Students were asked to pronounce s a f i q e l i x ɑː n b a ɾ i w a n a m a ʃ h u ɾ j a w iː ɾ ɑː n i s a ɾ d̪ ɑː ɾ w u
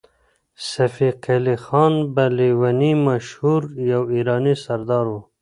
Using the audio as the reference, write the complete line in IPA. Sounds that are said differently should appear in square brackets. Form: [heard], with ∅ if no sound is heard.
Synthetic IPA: s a f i q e l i x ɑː n b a [l] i w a n [i] m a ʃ h u ɾ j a w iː ɾ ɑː n i s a ɾ d̪ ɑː ɾ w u